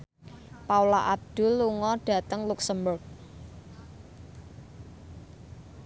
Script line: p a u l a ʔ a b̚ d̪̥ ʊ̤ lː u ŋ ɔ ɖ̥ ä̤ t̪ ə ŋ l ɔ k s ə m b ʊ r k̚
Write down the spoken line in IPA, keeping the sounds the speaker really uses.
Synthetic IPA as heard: p a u l a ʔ a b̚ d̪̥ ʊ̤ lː u ŋ ɔ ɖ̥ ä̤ t̪ ə ŋ l u k s ə m b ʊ r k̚